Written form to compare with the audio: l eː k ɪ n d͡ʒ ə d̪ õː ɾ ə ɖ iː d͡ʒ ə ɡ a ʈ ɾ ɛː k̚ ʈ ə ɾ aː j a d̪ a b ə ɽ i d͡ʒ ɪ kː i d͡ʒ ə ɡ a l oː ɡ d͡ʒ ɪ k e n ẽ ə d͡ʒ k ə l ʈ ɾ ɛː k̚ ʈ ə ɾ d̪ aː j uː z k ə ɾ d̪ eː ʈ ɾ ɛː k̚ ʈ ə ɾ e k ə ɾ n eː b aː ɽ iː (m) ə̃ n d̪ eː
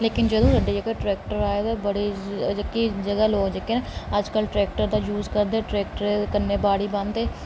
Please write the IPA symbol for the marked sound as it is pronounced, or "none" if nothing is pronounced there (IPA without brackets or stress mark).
b